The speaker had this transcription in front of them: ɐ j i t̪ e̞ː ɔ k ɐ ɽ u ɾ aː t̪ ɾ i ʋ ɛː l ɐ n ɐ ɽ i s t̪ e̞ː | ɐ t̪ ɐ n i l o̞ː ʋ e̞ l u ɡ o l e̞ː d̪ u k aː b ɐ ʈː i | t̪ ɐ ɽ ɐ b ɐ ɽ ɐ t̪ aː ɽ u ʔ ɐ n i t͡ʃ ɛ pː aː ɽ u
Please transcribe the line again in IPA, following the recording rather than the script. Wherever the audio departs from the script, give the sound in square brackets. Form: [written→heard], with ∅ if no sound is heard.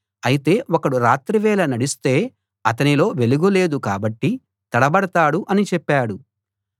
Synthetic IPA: ɐ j i t̪ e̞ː ɔ k ɐ ɽ u ɾ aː t̪ ɾ i ʋ ɛː l ɐ n ɐ ɽ i s t̪ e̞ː | ɐ t̪ ɐ n i l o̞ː ʋ e̞ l u ɡ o l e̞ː d̪ u k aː b ɐ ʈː i | t̪ ɐ ɽ ɐ b ɐ ɽ ɐ t̪ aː ɽ u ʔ ɐ n i t͡ʃ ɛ pː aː ɽ u

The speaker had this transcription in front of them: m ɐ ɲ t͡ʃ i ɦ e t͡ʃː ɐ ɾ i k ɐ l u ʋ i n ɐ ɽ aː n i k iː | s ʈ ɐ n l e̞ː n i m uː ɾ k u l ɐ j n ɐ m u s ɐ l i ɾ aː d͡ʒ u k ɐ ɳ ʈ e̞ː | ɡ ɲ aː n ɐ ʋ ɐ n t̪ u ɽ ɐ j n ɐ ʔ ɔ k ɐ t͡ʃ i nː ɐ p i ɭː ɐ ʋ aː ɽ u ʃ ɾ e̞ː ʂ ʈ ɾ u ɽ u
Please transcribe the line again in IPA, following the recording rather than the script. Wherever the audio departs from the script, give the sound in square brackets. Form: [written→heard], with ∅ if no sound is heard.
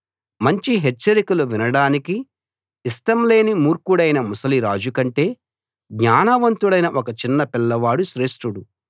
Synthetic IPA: m ɐ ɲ t͡ʃ i ɦ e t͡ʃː ɐ ɾ i k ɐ l u ʋ i n ɐ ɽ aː n i k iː | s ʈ ɐ [n→m] l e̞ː n i m uː ɾ k u [l→ɽ] ɐ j n ɐ m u s ɐ l i ɾ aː d͡ʒ u k ɐ ɳ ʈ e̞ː | ɡ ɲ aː n ɐ ʋ ɐ n t̪ u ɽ ɐ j n ɐ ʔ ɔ k ɐ t͡ʃ i nː ɐ p i [ɭː→lː] ɐ ʋ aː ɽ u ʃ ɾ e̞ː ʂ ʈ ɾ u ɽ u

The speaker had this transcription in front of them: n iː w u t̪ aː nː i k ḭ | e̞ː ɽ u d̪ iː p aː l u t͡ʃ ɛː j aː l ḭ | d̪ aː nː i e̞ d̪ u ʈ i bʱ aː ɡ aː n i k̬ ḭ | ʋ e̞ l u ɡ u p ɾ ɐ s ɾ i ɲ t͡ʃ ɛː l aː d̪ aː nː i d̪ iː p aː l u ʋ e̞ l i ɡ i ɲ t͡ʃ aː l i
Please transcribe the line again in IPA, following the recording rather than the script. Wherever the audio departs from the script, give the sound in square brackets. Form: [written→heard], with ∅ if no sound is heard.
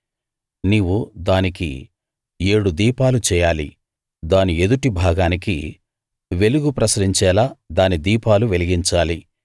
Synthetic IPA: n iː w u [t̪→d̪] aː [nː→n] i k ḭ | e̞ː ɽ u d̪ iː p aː l u t͡ʃ ɛː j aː l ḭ | d̪ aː [nː→n] i e̞ d̪ u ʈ i bʱ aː ɡ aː n i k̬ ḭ | ʋ e̞ l u ɡ u p ɾ ɐ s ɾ i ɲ t͡ʃ ɛː l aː d̪ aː [nː→n] i d̪ iː p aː l u ʋ e̞ l i ɡ i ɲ t͡ʃ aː l i

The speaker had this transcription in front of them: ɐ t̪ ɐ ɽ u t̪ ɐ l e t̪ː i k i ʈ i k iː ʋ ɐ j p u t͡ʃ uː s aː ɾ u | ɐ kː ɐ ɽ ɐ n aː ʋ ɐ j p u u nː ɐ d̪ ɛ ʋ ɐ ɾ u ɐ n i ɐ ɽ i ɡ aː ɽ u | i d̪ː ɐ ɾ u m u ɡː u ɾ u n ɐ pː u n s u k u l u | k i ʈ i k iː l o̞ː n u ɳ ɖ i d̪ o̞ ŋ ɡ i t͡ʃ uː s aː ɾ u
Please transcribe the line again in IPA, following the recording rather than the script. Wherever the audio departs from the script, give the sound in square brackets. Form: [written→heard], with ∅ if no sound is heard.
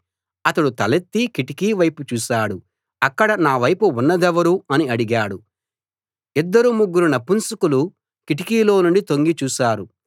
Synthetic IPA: ɐ t̪ ɐ ɽ u t̪ ɐ l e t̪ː i k i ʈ i k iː ʋ ɐ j p u t͡ʃ uː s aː [ɾ→ɽ] u | ɐ kː ɐ ɽ ɐ n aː ʋ ɐ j p u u nː ɐ d̪ ɛ ʋ ɐ ɾ u ɐ n i ɐ ɽ i ɡ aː ɽ u | i d̪ː ɐ ɾ u m u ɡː u ɾ u n ɐ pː u n s u k u l u | k i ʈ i k iː l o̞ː n u ɳ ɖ i [d̪→t̪] o̞ ŋ ɡ i t͡ʃ uː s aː ɾ u

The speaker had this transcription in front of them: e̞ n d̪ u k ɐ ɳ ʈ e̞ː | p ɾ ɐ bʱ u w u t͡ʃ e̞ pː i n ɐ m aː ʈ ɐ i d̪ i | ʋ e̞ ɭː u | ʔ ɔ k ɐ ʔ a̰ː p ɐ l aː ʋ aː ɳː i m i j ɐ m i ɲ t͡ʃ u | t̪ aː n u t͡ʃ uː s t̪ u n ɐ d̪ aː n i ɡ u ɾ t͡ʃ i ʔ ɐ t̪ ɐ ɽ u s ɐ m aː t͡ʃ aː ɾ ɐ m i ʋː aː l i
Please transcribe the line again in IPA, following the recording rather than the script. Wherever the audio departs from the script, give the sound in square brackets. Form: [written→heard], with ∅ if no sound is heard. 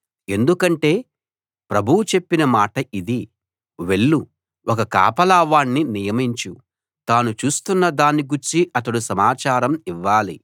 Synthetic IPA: e̞ n d̪ u k ɐ ɳ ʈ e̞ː | p ɾ ɐ bʱ u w u t͡ʃ e̞ pː i n ɐ m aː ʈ ɐ i d̪ i | ʋ e̞ ɭː u | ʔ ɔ k ɐ [ʔ→k] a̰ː p ɐ l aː ʋ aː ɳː i [m→n] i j ɐ m i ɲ t͡ʃ u | t̪ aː n u t͡ʃ uː s t̪ u [n→nː] ɐ d̪ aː n i ɡ u ɾ t͡ʃ i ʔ ɐ t̪ ɐ ɽ u s ɐ m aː t͡ʃ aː ɾ ɐ m i ʋː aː l i

